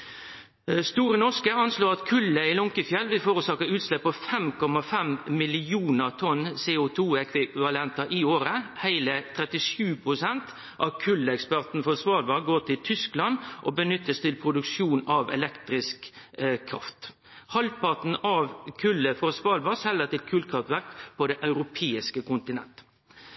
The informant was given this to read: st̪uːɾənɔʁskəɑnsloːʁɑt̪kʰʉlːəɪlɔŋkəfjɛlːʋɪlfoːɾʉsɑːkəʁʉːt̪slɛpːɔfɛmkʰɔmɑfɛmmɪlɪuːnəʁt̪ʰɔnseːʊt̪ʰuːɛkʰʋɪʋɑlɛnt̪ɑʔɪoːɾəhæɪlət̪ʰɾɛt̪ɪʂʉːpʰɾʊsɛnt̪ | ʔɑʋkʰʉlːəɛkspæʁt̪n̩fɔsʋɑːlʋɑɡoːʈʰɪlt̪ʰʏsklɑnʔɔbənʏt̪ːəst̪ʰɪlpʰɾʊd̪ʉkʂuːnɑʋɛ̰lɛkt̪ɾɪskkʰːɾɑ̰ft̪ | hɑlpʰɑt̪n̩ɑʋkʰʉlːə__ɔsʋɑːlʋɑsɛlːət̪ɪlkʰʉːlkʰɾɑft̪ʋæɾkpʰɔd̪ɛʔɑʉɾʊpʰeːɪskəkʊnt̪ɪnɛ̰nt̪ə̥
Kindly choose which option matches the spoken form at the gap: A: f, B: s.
A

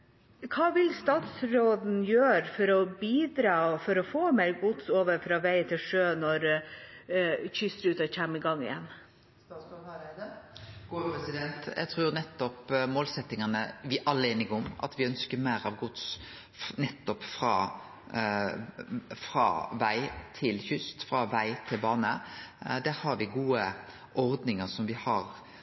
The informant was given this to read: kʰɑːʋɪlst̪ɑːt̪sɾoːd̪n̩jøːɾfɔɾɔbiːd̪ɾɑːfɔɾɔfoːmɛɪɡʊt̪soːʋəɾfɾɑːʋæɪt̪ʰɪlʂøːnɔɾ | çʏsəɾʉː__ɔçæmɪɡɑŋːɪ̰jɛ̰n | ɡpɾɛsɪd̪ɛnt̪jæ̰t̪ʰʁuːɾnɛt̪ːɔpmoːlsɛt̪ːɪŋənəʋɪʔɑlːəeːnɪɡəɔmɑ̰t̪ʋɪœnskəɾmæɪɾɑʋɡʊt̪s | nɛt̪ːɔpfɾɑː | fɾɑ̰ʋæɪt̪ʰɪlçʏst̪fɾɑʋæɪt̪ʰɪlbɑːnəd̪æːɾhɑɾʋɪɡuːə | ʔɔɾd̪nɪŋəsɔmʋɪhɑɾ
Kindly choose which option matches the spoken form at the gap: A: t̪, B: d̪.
A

